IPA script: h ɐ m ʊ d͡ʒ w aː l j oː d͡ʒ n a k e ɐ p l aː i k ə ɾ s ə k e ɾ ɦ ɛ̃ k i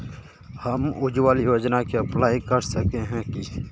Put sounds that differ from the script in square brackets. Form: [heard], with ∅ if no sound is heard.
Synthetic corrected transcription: h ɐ m ʊ d͡ʒ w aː l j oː d͡ʒ n a k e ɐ p l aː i k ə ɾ s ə k e [∅] ɦ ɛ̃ k i